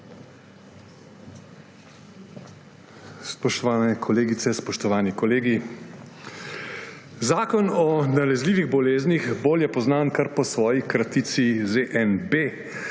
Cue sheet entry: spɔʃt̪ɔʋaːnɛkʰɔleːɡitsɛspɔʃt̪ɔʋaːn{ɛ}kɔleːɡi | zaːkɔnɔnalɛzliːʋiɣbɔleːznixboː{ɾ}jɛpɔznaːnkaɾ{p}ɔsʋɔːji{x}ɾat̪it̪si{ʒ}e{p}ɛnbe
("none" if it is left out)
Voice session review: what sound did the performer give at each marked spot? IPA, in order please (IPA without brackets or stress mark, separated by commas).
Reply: i, l, p, k, z, ʔ